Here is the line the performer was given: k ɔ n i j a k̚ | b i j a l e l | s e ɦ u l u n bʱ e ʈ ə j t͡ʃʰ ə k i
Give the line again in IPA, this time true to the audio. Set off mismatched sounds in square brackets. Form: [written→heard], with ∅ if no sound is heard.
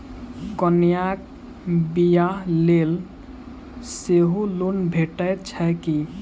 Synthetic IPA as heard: k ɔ n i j a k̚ | b i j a l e l | s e ɦ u l u n bʱ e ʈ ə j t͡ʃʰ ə k i